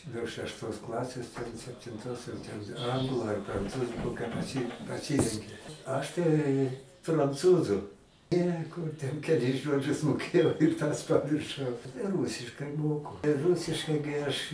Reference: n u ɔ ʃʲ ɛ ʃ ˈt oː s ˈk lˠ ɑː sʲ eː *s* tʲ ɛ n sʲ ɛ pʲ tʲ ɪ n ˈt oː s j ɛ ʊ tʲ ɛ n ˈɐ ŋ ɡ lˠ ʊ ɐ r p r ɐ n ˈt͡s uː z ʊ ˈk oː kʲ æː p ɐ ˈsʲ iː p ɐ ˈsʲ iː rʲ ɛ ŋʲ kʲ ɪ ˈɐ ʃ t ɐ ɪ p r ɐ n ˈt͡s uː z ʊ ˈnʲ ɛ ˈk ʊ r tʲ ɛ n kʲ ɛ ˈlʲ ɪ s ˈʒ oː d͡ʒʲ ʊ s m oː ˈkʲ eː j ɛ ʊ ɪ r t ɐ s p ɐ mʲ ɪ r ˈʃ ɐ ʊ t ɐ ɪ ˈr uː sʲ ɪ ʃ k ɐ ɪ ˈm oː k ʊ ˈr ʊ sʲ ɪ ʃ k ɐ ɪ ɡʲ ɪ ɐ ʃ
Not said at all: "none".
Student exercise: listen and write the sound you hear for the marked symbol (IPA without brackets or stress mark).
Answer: s